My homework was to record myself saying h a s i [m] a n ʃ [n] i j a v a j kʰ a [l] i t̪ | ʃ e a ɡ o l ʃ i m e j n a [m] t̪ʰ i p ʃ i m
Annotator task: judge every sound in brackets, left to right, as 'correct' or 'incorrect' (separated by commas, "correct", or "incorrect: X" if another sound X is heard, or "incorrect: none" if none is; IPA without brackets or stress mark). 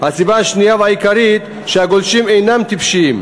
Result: incorrect: b, correct, incorrect: ɾ, correct